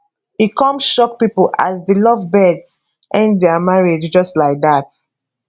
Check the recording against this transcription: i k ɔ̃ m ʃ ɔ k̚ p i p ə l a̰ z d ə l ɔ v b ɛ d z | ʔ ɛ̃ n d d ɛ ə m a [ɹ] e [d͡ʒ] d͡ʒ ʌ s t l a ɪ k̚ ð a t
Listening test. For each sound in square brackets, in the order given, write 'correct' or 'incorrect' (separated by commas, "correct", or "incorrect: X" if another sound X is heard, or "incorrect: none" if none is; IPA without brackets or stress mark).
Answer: correct, correct